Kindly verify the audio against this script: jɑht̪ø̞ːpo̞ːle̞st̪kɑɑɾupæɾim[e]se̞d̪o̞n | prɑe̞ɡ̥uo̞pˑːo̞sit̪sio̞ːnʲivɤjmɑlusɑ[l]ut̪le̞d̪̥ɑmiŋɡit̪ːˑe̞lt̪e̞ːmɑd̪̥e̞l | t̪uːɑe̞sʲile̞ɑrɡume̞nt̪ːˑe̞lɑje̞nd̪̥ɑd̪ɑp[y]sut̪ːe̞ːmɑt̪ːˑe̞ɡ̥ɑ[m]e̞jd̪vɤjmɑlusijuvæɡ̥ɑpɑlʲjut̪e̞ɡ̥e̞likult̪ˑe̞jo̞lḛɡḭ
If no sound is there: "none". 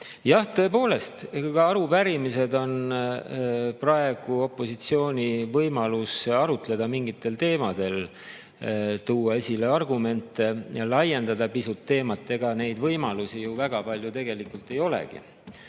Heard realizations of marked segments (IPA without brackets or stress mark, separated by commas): i, ɾ, i, n